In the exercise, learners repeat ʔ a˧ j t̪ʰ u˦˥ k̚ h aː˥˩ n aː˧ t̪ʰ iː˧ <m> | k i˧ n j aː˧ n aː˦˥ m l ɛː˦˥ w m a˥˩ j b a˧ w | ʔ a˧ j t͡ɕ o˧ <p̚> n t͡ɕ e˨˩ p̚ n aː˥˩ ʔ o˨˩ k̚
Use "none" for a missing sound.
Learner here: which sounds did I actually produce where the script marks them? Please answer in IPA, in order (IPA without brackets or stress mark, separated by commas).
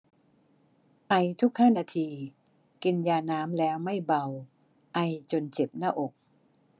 none, none